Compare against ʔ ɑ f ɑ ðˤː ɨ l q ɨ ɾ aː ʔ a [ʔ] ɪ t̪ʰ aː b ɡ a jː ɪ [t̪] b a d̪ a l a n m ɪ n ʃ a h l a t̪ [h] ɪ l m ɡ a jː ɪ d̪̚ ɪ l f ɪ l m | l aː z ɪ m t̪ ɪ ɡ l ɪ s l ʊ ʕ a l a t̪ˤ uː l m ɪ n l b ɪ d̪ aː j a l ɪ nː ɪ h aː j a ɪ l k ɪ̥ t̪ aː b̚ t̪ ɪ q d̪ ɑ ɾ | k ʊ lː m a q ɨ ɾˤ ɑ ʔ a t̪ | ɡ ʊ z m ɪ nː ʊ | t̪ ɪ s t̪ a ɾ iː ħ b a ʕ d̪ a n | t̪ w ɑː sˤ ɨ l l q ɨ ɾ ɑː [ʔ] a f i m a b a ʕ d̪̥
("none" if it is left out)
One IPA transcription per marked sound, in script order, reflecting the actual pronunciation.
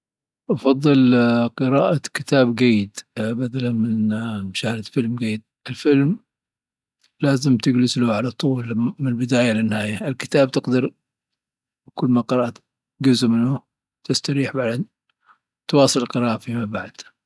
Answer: k, d̪, f, ʔ

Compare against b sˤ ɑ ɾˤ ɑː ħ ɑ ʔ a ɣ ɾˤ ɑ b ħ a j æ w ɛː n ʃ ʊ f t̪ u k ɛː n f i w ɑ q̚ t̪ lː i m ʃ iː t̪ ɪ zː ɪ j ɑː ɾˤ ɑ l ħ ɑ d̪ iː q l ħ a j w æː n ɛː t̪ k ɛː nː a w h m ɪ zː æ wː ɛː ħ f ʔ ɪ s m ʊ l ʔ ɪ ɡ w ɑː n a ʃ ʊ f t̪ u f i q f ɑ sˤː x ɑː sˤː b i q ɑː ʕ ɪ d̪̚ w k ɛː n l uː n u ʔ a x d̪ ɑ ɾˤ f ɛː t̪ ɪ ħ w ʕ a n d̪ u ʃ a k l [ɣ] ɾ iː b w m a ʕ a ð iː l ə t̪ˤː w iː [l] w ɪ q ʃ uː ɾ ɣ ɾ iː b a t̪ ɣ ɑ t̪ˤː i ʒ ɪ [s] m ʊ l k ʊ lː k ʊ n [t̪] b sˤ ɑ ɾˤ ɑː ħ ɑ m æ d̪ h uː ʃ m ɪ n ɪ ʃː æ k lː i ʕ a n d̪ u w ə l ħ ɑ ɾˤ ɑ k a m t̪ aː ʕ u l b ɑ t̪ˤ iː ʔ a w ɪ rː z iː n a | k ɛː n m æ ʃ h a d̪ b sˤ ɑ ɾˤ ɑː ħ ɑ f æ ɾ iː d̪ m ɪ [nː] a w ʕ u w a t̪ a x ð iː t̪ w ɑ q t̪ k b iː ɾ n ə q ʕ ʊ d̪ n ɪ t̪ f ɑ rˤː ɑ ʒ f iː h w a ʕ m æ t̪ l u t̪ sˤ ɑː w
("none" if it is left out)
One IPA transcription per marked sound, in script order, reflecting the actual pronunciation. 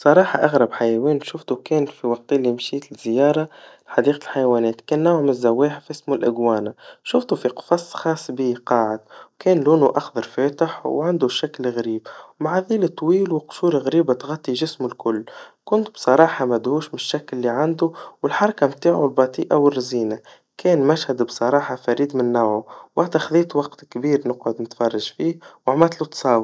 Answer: ɣ, l, s, t̪, nː

